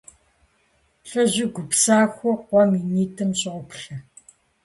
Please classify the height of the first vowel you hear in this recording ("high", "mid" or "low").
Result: low